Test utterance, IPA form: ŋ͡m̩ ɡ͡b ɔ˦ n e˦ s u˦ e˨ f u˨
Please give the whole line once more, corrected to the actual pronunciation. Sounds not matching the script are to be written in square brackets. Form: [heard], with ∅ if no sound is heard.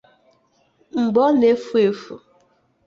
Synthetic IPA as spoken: ŋ͡m̩ ɡ͡b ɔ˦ n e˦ [f] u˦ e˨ f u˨